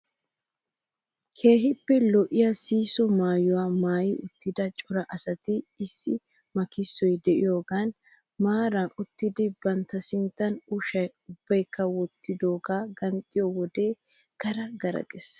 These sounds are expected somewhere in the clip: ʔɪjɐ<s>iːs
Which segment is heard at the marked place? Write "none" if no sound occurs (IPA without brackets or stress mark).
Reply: s